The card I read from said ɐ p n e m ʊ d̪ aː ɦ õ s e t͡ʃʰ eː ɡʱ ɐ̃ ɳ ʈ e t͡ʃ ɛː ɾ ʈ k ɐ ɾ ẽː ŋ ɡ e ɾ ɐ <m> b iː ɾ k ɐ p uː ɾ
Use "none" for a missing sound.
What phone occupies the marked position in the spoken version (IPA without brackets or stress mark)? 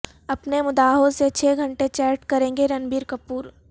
n